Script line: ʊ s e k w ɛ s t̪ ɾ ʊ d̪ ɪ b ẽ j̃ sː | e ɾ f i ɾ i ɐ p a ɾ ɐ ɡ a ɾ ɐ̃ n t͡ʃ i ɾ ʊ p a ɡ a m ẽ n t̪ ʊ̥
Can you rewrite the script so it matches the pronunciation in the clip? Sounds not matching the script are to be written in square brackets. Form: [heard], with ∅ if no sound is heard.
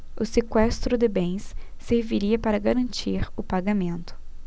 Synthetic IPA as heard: ʊ s e k w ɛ s t̪ ɾ ʊ d̪ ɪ b ẽ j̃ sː | e ɾ [v] i ɾ i ɐ p a ɾ ɐ ɡ a ɾ ɐ̃ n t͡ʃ i ɾ ʊ p a ɡ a m ẽ n t̪ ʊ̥